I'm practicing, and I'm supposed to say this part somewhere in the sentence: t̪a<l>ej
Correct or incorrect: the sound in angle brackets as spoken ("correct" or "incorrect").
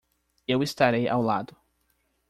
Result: incorrect